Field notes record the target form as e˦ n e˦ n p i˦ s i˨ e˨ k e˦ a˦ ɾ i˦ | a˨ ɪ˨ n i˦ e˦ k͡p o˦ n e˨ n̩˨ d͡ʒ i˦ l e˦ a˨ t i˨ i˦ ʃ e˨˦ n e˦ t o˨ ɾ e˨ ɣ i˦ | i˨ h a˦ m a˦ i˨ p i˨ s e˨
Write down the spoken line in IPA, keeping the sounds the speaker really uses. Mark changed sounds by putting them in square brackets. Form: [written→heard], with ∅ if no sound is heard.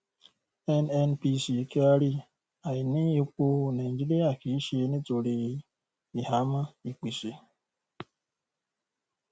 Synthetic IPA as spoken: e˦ n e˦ n p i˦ s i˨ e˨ k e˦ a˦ ɾ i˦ | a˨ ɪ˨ n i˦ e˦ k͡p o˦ n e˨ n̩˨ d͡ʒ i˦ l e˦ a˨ [t→k] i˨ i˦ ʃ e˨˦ n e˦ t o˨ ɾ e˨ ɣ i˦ | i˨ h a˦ m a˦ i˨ [p→k͡p] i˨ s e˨